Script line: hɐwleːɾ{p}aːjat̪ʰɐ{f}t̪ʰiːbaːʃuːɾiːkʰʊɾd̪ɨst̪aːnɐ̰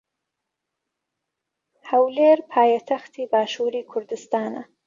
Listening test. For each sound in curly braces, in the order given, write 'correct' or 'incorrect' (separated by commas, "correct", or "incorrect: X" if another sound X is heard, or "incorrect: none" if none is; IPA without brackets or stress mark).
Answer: incorrect: pʰ, incorrect: x